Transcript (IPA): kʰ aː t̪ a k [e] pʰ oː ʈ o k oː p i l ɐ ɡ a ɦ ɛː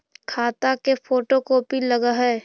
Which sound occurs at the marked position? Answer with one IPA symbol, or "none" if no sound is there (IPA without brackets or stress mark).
e